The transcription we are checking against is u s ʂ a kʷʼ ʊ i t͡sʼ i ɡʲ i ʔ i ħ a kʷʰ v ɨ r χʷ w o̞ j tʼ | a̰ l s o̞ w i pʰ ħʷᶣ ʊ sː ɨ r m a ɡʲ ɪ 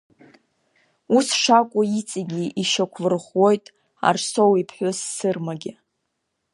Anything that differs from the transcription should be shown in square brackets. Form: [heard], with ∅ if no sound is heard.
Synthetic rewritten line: u s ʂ a kʷʼ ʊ i t͡sʼ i ɡʲ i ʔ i [ʃ] a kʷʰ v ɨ r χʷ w o̞ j tʼ | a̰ [r] s o̞ w i pʰ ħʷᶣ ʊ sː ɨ r m a ɡʲ ɪ